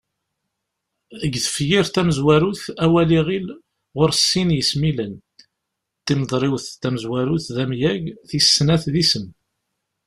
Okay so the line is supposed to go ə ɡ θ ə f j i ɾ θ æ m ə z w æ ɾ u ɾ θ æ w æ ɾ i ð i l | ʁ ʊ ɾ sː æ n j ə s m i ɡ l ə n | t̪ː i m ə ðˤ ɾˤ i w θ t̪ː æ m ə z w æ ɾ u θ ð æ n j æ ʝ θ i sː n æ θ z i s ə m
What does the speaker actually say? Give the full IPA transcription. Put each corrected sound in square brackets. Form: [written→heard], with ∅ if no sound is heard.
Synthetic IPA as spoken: ə ɡ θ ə f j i ɾ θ æ m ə z w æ ɾ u [ɾ→∅] θ æ w æ [ɾ→l] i [ð→ʁ] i l | ʁ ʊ ɾ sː [æ→i] n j ə s m i [ɡ→∅] l ə n | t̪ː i m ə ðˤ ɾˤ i w θ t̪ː æ m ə z w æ ɾ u θ ð æ [n→m] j æ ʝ θ i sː n æ θ [z→ð] i s ə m